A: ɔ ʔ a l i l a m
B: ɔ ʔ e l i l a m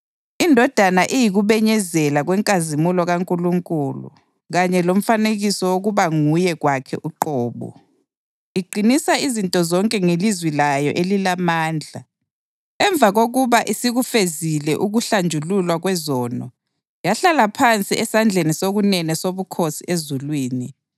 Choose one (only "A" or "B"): B